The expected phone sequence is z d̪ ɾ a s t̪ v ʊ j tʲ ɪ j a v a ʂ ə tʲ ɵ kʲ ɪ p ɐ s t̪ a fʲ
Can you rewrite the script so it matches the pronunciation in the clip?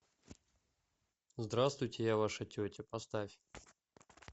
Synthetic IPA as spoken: z d̪ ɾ a s t̪ v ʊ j tʲ ɪ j a v a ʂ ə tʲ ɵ tʲ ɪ p ɐ s t̪ a fʲ